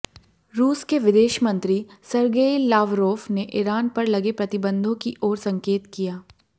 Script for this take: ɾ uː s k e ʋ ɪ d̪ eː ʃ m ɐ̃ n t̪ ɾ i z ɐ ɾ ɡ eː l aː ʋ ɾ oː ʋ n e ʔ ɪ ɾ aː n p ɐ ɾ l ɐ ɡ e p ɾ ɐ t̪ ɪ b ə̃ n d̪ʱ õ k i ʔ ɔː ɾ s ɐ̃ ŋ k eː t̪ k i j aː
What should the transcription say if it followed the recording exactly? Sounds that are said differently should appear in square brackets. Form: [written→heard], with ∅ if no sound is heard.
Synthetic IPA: ɾ uː s k e ʋ ɪ d̪ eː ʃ m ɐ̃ n t̪ ɾ i [z→s] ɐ ɾ ɡ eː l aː ʋ ɾ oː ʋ n e ʔ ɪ ɾ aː n p ɐ ɾ l ɐ ɡ e p ɾ ɐ t̪ ɪ b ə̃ n d̪ʱ õ k i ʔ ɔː ɾ s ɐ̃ ŋ k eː t̪ k i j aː